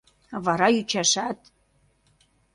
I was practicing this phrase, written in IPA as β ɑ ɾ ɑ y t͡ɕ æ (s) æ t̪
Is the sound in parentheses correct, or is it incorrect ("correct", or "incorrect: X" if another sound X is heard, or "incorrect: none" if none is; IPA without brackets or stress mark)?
incorrect: ʃ